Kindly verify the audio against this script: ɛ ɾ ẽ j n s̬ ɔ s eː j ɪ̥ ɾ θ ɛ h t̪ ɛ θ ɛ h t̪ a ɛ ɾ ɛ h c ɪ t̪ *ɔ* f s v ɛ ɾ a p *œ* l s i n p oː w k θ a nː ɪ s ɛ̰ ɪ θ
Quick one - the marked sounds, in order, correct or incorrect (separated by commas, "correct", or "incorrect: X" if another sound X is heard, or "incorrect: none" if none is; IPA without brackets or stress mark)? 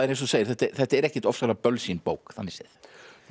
correct, correct